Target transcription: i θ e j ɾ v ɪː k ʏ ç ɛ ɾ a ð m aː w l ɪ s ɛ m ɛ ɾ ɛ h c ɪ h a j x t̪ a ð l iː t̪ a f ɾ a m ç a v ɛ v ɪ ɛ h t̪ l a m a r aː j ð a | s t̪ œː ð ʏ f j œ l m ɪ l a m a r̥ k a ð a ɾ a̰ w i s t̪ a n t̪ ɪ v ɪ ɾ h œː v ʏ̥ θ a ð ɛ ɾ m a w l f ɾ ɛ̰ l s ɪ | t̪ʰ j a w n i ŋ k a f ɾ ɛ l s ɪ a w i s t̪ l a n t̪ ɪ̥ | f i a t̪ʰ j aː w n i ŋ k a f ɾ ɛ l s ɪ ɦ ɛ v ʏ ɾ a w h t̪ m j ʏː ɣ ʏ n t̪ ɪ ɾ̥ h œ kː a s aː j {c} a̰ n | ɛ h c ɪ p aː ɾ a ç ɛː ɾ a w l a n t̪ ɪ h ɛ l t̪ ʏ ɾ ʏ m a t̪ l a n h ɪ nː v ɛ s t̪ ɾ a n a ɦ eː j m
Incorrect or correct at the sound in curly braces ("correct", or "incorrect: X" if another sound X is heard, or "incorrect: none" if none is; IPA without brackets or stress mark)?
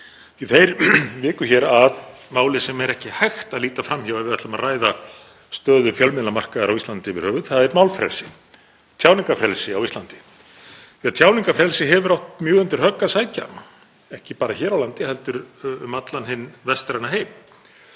correct